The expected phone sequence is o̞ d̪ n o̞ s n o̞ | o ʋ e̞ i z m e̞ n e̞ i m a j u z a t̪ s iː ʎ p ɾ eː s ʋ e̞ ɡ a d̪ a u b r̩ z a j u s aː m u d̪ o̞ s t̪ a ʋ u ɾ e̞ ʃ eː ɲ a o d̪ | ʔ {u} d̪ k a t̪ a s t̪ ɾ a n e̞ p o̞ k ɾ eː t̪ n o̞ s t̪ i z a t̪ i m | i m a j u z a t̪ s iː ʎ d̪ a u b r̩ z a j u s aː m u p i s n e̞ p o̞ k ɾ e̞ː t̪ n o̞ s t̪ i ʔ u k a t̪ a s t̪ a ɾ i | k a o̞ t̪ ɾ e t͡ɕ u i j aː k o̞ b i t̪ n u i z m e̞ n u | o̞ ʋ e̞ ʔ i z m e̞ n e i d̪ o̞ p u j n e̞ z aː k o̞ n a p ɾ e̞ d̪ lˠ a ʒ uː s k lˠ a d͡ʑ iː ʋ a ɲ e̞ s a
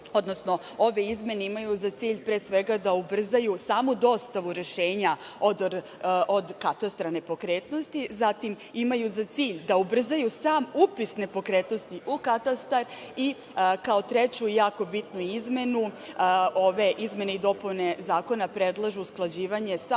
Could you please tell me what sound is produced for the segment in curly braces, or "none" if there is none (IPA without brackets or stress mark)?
o